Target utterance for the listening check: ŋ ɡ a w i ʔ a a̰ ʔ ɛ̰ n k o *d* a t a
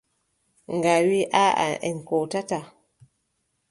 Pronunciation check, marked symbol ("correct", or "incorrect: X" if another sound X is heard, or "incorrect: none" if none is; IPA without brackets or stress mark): incorrect: t